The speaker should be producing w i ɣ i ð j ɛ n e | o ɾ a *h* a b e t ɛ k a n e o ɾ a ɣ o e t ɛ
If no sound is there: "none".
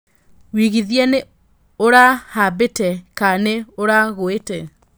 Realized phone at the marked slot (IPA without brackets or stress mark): h